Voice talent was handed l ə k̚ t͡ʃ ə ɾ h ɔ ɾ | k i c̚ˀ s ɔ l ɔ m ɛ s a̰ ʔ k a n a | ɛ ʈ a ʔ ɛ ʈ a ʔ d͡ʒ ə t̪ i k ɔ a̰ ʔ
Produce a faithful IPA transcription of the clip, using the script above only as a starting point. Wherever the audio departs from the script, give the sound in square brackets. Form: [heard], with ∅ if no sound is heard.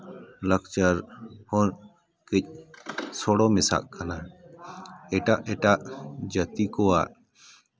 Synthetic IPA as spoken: l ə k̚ t͡ʃ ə ɾ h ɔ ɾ | k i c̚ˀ s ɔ [ɽ] ɔ m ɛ s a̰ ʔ k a n a | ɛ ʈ a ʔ ɛ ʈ a ʔ d͡ʒ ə t̪ i k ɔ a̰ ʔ

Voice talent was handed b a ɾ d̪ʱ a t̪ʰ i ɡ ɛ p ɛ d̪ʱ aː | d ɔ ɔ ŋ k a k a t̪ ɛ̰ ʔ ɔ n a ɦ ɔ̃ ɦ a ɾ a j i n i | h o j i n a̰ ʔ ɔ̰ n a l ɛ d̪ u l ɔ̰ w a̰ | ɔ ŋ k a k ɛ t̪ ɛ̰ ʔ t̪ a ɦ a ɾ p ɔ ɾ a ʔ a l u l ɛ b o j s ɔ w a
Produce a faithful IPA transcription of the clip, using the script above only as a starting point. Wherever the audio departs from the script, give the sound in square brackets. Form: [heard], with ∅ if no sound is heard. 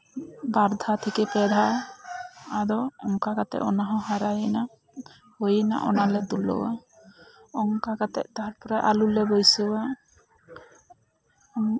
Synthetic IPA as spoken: b a ɾ d̪ʱ a t̪ʰ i [k] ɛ p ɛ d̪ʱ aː | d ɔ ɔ ŋ k a k a t̪ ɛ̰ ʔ ɔ n a ɦ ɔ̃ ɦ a ɾ a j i n [a] | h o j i n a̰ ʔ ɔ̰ n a l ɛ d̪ u l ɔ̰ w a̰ | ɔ ŋ k a k [a] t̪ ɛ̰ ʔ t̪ a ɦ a ɾ p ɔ ɾ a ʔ a l u l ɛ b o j s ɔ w a

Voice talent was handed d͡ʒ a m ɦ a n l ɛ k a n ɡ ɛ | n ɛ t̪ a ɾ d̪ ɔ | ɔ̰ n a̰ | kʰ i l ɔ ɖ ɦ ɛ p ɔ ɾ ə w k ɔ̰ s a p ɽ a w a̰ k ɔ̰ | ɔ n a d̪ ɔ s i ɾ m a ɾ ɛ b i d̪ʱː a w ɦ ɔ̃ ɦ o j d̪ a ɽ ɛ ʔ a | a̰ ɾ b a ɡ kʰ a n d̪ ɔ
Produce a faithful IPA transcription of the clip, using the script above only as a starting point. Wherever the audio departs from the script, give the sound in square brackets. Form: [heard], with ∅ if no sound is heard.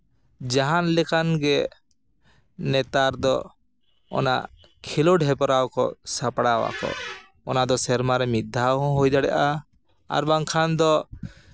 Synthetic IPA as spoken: d͡ʒ a [∅] ɦ a n l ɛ k a n ɡ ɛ | n ɛ t̪ a ɾ d̪ ɔ | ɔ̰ n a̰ | kʰ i l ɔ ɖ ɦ ɛ p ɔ ɾ [a] w k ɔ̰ s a p ɽ a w a̰ k ɔ̰ | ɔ n a d̪ ɔ s [ɛ] ɾ m a ɾ ɛ [m] i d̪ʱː a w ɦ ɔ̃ ɦ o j d̪ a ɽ ɛ ʔ a | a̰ ɾ b a [ŋ] kʰ a n d̪ ɔ

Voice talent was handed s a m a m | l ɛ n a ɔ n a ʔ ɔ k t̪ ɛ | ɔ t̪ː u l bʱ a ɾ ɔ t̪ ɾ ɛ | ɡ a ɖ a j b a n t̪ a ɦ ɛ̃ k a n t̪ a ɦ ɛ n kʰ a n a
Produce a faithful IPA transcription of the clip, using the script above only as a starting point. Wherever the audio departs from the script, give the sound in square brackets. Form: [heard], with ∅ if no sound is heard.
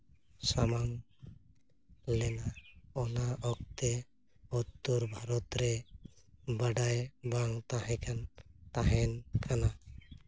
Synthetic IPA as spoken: s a m a m | l ɛ n a ɔ n a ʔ ɔ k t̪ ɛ | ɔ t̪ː u [ɾ] bʱ a ɾ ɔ t̪ ɾ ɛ | [b] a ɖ a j b a [ŋ] t̪ a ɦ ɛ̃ k a n t̪ a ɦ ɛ n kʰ a n a

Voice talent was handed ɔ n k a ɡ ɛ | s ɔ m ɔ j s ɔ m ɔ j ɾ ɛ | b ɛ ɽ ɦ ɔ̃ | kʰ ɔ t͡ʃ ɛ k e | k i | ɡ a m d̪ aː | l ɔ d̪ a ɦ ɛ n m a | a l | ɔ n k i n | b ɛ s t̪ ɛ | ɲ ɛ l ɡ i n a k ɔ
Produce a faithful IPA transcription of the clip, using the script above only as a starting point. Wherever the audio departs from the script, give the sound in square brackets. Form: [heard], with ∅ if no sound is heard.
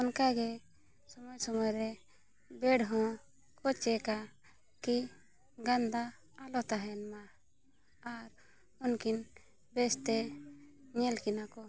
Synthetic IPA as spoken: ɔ n k a ɡ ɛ | s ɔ m ɔ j s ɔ m ɔ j ɾ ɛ | b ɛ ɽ ɦ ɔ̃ | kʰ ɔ t͡ʃ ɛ k [a] | k i | ɡ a [n] d̪ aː | l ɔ [t̪] a ɦ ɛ n m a | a [ɾ] | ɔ n k i n | b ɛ s t̪ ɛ | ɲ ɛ l [k] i n a k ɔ

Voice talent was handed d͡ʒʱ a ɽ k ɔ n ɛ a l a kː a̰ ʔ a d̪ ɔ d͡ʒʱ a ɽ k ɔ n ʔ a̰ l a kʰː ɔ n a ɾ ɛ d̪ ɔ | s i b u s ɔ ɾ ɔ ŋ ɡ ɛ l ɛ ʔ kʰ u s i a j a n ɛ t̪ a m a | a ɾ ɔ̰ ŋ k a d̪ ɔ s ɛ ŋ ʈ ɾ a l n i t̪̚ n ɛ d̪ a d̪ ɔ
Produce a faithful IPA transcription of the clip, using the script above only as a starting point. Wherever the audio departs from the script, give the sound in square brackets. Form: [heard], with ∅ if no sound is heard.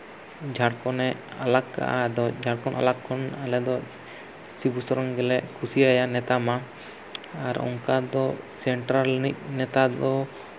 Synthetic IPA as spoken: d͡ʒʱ a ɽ k ɔ n ɛ a l a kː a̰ ʔ a d̪ ɔ d͡ʒʱ a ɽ k ɔ n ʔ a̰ l a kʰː ɔ n a [l] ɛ d̪ ɔ | s i b u s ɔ ɾ ɔ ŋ ɡ ɛ l ɛ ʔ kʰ u s i a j a n ɛ t̪ a m a | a ɾ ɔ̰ ŋ k a d̪ ɔ s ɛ [ɳ] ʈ ɾ a l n i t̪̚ n ɛ [t̪] a d̪ ɔ

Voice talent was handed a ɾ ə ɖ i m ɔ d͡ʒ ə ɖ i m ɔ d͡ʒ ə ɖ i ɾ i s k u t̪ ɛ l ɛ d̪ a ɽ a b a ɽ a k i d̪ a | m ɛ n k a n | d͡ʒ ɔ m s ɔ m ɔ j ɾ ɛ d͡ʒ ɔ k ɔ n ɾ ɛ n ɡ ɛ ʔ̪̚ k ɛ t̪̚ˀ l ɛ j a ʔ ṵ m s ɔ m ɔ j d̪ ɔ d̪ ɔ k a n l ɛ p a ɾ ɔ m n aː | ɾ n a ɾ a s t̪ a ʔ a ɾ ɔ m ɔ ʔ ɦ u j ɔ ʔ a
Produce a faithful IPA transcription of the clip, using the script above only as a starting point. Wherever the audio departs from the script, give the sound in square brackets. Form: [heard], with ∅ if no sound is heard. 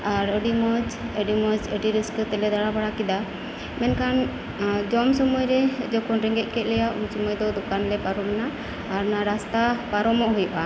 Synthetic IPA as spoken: a ɾ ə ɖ i m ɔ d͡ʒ ə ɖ i m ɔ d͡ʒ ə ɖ i ɾ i s k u t̪ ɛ l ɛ d̪ a ɽ a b a ɽ a k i d̪ a | m ɛ n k a n | d͡ʒ ɔ m s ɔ m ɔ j ɾ ɛ d͡ʒ ɔ k ɔ n ɾ ɛ [ŋ] ɡ ɛ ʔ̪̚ k ɛ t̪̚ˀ l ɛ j a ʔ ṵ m s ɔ m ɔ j d̪ ɔ d̪ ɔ k a n l ɛ p a ɾ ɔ m n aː | ɾ n a ɾ a s t̪ a [p] a ɾ ɔ m ɔ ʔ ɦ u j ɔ ʔ a

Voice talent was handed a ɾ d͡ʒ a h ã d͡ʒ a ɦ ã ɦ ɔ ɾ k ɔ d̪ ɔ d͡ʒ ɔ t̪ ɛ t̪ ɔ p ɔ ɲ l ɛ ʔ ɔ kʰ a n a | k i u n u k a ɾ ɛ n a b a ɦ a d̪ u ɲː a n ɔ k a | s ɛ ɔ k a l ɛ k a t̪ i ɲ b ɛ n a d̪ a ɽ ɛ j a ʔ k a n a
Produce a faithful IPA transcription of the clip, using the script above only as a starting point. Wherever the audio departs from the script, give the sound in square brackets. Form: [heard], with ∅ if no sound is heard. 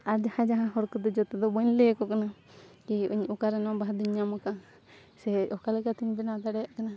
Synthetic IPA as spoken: a ɾ d͡ʒ a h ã d͡ʒ a ɦ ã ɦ ɔ ɾ k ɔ d̪ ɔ d͡ʒ ɔ t̪ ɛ [d̪] ɔ [b] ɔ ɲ l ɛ [k] ɔ [k] a n a | k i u [ɲ] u k a ɾ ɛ n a b a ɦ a d̪ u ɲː a [m] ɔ k a | s ɛ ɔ k a l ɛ k a t̪ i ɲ b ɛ n a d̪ a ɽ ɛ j a ʔ k a n a

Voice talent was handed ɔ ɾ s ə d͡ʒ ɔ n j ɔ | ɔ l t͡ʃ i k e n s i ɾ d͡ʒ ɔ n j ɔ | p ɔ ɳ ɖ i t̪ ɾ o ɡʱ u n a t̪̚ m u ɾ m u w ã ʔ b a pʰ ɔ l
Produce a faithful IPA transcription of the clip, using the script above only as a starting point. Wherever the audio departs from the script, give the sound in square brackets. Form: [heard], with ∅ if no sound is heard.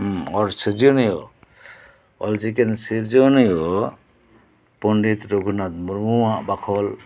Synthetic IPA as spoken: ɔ ɾ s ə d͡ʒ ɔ n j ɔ | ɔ l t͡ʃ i k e n s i ɾ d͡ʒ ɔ n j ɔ | p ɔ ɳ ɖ i t̪ ɾ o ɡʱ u n a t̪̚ m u ɾ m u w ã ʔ b a [kʰ] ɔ l

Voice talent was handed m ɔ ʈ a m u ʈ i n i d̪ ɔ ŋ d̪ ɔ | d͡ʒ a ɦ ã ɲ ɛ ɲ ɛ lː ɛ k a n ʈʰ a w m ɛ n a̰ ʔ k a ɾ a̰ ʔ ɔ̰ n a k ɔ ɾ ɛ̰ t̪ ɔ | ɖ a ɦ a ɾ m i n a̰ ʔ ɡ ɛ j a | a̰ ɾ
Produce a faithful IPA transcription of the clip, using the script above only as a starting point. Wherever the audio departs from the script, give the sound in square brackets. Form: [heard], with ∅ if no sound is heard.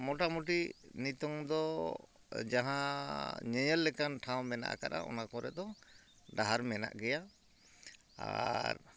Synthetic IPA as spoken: m ɔ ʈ a m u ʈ i n i [t̪] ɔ ŋ d̪ ɔ | d͡ʒ a ɦ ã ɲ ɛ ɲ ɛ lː ɛ k a n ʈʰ a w m ɛ n a̰ ʔ k a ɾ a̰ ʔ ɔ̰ n a k ɔ ɾ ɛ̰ [d̪] ɔ | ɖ a ɦ a ɾ m [ɛ] n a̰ ʔ ɡ ɛ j a | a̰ ɾ

